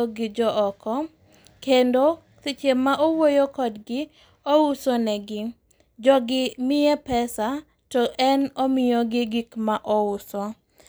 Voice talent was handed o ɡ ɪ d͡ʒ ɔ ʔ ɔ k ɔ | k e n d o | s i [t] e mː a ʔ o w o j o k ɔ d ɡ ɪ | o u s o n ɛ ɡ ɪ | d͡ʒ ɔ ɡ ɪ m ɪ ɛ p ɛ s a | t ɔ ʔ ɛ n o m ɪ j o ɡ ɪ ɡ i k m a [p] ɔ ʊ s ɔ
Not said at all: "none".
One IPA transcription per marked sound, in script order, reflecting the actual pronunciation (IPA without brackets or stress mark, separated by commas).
t͡ʃ, ʔ